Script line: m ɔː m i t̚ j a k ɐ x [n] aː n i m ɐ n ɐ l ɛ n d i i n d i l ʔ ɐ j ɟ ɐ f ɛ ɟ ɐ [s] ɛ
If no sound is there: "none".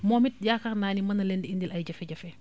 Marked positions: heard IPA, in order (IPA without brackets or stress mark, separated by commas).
n, f